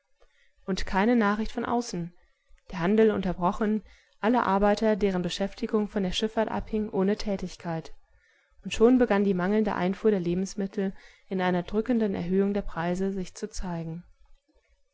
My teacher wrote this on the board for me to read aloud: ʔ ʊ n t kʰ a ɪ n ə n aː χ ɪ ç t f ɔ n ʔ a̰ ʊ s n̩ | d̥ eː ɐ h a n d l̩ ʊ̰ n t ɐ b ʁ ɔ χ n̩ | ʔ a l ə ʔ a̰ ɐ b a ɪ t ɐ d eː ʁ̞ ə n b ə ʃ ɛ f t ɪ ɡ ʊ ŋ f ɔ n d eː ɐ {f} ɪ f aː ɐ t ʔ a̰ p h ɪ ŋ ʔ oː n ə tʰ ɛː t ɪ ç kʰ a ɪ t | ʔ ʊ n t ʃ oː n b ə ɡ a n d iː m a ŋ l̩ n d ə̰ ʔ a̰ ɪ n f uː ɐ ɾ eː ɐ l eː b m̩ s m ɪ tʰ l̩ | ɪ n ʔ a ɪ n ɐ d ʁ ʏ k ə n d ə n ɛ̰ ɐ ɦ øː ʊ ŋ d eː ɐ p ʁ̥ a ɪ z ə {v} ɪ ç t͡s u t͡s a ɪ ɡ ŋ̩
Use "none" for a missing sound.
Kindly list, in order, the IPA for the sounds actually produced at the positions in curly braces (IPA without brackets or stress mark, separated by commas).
ʃ, z